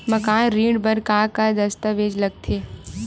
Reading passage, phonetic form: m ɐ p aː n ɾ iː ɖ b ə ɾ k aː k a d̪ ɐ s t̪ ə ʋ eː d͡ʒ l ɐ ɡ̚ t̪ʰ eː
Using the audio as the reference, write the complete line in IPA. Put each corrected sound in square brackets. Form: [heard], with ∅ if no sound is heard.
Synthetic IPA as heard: m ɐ [k] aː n ɾ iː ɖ b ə ɾ k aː k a d̪ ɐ s t̪ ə ʋ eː d͡ʒ l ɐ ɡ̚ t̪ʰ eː